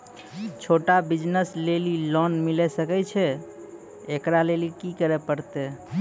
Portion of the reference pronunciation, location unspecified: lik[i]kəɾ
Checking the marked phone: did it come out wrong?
no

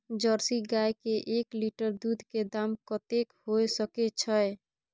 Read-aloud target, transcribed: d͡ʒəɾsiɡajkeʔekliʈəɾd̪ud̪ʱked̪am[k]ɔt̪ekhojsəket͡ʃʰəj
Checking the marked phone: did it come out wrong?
no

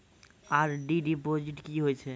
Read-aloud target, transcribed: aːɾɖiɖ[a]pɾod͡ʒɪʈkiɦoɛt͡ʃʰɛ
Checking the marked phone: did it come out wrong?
yes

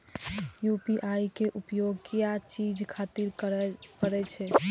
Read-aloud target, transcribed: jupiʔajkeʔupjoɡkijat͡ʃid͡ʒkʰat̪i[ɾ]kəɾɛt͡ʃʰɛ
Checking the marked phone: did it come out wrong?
no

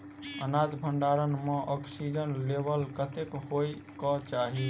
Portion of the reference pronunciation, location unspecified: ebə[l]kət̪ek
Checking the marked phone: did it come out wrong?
no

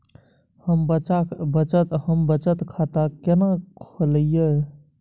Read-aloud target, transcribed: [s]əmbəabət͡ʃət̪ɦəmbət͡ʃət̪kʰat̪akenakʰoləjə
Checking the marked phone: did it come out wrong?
yes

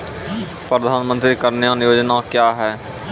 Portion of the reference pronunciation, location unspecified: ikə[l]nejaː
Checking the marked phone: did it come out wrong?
yes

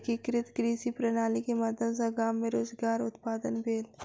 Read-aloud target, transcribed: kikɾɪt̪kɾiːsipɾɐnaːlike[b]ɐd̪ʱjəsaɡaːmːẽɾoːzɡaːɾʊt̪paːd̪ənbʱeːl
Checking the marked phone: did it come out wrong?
yes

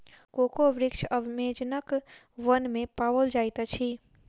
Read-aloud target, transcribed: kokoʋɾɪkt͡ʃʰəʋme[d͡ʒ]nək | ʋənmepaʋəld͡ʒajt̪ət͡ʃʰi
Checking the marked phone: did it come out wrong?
no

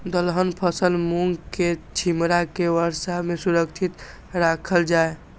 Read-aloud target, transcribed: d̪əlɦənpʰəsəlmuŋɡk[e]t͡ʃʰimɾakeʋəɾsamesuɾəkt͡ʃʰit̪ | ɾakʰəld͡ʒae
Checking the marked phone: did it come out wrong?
no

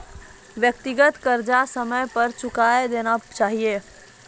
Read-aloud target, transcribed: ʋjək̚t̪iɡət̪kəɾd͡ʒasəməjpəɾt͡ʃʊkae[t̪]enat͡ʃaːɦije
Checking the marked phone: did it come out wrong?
yes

